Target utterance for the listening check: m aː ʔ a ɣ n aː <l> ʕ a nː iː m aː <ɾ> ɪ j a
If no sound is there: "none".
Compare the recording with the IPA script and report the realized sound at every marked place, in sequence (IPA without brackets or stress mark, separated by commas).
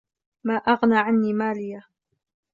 none, l